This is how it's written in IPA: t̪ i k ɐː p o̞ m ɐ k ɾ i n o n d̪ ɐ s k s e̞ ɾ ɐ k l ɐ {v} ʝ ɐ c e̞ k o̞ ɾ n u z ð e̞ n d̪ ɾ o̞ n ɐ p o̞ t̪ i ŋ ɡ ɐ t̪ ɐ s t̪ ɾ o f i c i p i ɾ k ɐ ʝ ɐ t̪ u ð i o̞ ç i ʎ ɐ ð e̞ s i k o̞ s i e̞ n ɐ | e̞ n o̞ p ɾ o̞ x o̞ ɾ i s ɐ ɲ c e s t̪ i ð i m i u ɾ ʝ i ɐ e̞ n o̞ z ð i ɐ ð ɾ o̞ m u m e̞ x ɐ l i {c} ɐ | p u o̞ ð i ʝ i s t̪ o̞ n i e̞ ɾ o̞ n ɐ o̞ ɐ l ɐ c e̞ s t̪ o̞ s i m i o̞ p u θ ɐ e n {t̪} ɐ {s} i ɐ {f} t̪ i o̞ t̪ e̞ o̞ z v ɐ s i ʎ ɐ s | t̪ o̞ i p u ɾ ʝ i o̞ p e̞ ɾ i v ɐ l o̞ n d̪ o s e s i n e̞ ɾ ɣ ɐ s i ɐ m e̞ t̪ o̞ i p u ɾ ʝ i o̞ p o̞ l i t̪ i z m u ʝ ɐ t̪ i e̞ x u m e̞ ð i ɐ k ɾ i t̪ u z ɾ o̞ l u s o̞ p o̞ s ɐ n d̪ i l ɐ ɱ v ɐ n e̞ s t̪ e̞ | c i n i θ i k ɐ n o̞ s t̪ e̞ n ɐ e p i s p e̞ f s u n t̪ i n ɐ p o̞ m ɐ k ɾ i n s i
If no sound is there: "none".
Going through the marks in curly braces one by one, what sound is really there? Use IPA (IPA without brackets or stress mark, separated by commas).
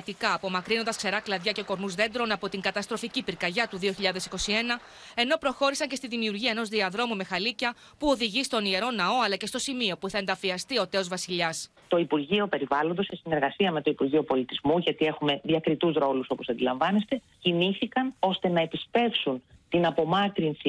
ð, c, d̪, f, s